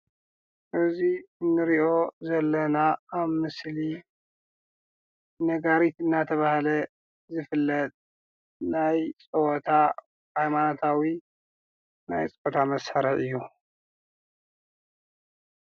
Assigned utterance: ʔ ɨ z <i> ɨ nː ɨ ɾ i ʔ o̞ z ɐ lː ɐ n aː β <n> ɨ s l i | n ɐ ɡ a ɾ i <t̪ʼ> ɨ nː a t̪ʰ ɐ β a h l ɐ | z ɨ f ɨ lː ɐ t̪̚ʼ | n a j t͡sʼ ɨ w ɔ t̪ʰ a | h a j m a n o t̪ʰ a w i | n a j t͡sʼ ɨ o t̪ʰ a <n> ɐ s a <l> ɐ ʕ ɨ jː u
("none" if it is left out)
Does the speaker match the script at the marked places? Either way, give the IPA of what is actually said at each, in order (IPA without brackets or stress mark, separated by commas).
i, m, t̪, m, ɾ